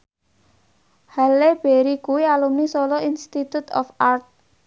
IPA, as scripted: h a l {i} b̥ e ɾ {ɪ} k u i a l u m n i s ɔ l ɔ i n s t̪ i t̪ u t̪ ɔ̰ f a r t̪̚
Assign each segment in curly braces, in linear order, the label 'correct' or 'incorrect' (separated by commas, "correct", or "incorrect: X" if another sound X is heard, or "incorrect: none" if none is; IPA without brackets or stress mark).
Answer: incorrect: e, incorrect: i